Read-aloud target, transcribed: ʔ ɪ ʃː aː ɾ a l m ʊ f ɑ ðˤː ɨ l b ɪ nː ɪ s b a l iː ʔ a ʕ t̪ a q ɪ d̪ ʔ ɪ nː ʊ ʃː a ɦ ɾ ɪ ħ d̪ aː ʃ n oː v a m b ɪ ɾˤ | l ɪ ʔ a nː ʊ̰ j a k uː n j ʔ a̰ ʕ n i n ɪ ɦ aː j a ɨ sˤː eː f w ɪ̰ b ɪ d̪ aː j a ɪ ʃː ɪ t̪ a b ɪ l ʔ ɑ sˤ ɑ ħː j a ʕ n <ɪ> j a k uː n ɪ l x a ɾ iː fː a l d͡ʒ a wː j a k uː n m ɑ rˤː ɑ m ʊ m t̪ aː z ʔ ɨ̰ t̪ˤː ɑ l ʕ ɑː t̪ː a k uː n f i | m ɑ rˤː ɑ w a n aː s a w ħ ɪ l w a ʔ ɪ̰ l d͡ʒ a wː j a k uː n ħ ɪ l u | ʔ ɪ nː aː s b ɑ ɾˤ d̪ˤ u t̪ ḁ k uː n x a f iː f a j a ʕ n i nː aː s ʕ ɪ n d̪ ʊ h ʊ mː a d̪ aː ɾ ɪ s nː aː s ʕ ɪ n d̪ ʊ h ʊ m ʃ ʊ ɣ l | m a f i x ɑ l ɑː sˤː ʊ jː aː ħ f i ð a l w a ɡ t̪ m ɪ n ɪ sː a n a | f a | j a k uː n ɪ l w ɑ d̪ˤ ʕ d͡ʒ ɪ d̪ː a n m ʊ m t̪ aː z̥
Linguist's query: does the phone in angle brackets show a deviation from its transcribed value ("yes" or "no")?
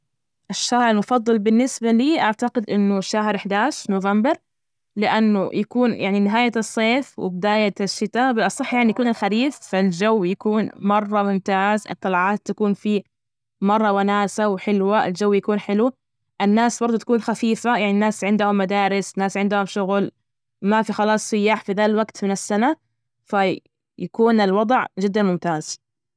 yes